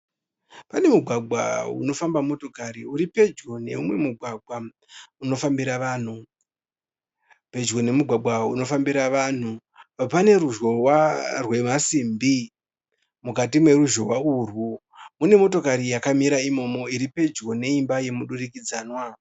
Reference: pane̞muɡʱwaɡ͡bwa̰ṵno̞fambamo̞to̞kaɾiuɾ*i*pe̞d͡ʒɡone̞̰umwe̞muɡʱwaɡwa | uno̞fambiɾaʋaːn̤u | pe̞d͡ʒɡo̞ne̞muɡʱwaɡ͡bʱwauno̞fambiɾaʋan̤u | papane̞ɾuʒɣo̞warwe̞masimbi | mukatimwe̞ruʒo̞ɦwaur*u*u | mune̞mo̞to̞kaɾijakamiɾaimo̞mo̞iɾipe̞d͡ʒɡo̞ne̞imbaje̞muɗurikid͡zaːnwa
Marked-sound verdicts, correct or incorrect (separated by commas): correct, incorrect